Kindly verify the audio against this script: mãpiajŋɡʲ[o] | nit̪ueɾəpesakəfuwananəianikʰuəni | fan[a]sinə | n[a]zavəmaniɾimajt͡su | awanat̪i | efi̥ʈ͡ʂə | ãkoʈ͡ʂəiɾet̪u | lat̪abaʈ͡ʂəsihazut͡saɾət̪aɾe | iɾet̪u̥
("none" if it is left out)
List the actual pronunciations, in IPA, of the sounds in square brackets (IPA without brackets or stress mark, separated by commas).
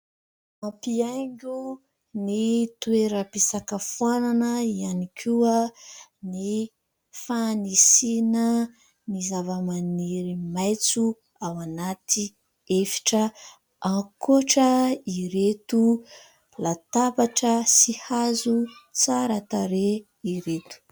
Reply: u, i, i